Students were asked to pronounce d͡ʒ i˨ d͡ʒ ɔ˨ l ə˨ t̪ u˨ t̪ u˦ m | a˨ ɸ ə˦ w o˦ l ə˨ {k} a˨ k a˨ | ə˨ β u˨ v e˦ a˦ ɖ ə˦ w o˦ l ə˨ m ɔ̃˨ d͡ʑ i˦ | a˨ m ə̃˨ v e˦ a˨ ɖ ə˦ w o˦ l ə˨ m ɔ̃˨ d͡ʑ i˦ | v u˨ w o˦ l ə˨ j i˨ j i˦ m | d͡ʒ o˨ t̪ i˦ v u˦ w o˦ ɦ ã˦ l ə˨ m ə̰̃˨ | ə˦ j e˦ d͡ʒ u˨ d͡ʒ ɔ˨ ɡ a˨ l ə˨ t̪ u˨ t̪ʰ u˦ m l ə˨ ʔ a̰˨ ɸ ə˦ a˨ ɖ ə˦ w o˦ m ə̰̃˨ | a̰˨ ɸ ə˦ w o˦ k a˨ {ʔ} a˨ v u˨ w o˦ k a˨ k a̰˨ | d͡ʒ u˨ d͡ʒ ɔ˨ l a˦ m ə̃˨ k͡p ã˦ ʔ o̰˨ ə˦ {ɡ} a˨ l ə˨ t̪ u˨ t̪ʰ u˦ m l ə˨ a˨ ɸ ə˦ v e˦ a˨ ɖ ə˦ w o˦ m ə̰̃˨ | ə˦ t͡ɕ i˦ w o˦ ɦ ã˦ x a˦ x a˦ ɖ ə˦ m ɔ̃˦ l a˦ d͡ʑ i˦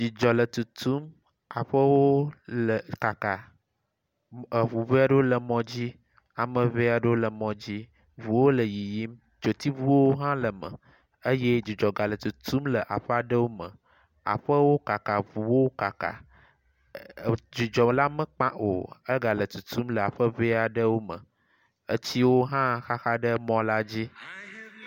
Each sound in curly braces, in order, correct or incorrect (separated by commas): correct, incorrect, correct